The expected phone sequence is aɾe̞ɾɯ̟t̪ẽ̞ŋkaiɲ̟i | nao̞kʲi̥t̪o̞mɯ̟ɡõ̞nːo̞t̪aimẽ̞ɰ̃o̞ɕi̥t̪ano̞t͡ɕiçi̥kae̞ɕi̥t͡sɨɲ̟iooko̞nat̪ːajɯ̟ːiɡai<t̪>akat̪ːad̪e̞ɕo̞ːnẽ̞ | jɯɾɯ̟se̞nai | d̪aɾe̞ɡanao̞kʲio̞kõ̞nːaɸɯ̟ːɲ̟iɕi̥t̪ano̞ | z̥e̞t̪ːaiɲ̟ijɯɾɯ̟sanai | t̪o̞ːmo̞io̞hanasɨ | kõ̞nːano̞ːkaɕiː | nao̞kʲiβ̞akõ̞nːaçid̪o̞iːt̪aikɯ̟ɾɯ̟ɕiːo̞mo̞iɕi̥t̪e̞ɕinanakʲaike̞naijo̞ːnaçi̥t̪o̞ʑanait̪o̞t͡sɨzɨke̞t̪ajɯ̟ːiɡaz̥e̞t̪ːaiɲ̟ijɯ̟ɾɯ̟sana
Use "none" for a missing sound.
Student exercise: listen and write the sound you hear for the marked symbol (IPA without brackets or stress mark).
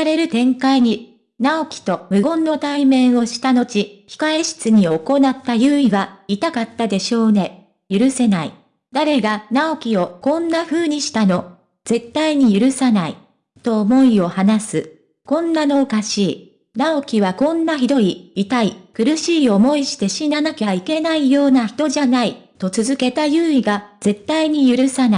t̪